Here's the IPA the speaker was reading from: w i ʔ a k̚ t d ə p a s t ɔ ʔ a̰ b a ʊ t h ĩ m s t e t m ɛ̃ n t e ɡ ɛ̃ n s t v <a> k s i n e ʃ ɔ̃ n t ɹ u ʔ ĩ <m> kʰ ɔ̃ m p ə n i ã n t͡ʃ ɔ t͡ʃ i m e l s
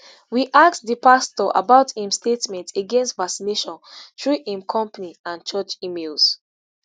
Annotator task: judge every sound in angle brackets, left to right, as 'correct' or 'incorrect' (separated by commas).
correct, correct